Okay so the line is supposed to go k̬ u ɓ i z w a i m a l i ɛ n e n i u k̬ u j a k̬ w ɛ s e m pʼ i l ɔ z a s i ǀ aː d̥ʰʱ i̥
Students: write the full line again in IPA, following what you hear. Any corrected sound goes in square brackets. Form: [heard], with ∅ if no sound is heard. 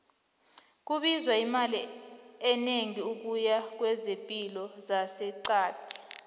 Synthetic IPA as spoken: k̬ u ɓ i z w a i m a l i ɛ n e [ŋ] i u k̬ u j a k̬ w ɛ [z] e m pʼ i l ɔ z a s [ɛ] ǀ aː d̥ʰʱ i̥

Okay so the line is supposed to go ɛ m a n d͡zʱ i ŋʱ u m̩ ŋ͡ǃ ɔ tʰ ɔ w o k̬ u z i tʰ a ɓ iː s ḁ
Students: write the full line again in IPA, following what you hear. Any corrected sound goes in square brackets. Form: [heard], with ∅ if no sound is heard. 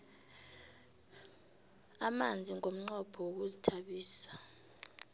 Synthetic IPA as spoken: [a] m a n d͡zʱ i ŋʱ [o] m̩ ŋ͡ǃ ɔ [pʰ] ɔ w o k̬ u z i tʰ a ɓ iː s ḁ

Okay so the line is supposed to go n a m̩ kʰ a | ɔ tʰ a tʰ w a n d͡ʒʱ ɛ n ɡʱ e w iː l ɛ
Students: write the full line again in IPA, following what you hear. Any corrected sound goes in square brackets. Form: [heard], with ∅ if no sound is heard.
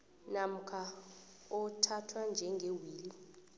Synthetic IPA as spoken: n a m̩ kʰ a | ɔ tʰ a tʰ w a n d͡ʒʱ ɛ [ŋ] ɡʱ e w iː l [i]

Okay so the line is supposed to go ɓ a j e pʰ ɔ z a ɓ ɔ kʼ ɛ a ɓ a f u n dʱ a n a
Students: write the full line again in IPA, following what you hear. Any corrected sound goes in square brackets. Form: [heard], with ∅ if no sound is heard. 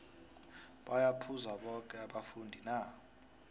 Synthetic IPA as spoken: ɓ a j [a] pʰ [u] z a ɓ ɔ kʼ ɛ a ɓ a f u n dʱ [i] n a

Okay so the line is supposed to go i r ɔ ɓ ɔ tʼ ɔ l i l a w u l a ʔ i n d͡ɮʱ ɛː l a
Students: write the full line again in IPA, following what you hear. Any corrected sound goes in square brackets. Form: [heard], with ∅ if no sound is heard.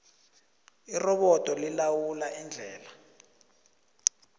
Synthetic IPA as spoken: i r ɔ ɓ ɔ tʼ ɔ l i l a w u l a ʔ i n d͡ɮʱ ɛː l a

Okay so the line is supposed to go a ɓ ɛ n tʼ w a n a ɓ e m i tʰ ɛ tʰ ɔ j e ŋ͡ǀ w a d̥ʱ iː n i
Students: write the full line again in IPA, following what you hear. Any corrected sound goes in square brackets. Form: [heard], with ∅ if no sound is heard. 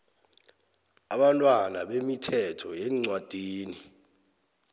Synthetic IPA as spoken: a ɓ [a] n tʼ w a n a ɓ e m i tʰ ɛ tʰ ɔ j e ŋ͡ǀ w a d̥ʱ iː n i

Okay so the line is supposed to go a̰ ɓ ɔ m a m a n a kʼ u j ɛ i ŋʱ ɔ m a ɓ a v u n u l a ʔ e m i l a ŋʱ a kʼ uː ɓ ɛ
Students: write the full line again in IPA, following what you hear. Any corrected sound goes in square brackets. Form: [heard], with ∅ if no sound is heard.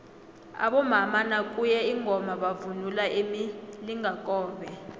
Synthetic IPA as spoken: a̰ ɓ ɔ m a m a n a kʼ u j ɛ i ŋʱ ɔ m a ɓ a v u n u l a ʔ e m i l [i] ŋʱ a kʼ [ɔː] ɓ ɛ

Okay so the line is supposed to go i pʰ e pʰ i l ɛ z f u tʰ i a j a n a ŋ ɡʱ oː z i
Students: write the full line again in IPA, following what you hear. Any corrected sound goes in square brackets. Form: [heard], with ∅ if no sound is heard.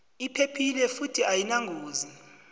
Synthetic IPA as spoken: i pʰ e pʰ i l ɛ [∅] f u tʰ i a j [i] n a ŋ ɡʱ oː z i

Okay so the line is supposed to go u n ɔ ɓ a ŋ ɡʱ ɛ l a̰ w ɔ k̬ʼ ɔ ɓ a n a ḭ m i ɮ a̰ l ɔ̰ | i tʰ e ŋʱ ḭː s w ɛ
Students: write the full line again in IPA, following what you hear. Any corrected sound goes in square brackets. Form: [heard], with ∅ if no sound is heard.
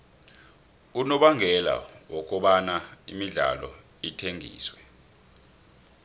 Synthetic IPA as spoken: u n ɔ ɓ a ŋ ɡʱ ɛ l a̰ w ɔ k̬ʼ ɔ ɓ a n a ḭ m i ɮ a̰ l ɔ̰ | i tʰ e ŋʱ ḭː s w ɛ

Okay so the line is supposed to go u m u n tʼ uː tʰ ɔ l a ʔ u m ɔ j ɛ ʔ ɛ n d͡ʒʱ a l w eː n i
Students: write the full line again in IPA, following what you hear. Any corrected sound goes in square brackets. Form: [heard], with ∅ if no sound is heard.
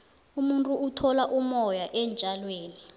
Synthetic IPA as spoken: u m u n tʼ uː tʰ ɔ l a ʔ u m ɔ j [a] ʔ ɛ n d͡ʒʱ a l w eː n i

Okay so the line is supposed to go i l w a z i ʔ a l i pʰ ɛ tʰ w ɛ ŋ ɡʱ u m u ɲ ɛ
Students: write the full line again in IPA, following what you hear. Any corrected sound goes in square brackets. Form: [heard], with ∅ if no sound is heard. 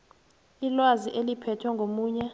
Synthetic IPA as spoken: i l w a z i ʔ [e] l i pʰ ɛ tʰ w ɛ ŋ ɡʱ [o] m [uː] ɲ ɛ

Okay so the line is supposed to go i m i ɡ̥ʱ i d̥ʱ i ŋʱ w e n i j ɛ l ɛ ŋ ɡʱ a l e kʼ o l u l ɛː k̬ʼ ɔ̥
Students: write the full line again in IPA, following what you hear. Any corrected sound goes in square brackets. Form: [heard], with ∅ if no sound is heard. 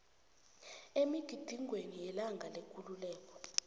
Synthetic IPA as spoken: [e] m i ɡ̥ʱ i d̥ʱ i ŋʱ w e n i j ɛ l [a] ŋ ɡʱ a l e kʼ [u] l u l ɛː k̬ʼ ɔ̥

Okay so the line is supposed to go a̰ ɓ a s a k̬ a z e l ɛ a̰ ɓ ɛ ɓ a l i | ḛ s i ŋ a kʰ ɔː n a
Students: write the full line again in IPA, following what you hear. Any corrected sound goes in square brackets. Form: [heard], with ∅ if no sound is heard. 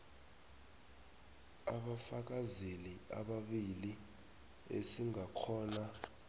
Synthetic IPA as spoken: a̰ ɓ a [f] a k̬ a z e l [i] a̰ ɓ [a] ɓ [i] l i | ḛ s i ŋ a kʰ ɔː n a

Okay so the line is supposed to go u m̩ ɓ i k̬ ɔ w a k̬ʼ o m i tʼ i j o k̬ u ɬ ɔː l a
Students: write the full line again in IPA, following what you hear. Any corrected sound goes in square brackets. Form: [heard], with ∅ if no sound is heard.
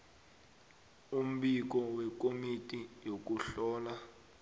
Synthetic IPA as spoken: u m̩ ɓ i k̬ ɔ w [ɛ] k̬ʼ o m i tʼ i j o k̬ u ɬ ɔː l a

